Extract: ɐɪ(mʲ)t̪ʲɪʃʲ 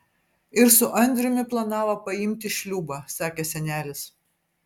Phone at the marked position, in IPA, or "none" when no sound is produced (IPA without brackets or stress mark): mʲ